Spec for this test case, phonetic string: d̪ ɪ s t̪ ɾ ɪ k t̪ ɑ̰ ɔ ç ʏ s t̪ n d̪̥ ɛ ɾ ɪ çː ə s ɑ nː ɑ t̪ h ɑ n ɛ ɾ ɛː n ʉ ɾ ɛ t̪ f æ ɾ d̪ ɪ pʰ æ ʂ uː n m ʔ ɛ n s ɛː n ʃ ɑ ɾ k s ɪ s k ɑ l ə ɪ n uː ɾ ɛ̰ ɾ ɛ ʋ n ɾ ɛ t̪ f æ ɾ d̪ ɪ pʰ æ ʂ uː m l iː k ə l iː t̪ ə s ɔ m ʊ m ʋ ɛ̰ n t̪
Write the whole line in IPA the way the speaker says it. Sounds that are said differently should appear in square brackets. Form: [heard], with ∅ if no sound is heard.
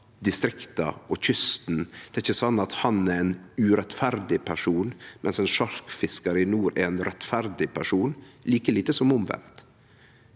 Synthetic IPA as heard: d̪ ɪ s t̪ ɾ ɪ k t̪ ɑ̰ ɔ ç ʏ s t̪ n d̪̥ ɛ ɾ ɪ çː ə s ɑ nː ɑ t̪ h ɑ n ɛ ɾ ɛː n ʉ ɾ ɛ t̪ f æ ɾ d̪ ɪ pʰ æ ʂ uː n m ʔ ɛ n s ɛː n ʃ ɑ ɾ k [f] ɪ s k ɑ [ɾ] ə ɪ n uː ɾ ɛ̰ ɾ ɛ [∅] n ɾ ɛ t̪ f æ ɾ d̪ ɪ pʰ æ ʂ uː [n] l iː k ə l iː t̪ ə s ɔ m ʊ m ʋ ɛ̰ n t̪